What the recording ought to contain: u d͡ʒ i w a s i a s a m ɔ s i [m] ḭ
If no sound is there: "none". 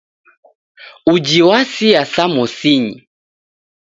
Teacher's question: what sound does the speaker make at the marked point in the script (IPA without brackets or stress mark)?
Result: ɲ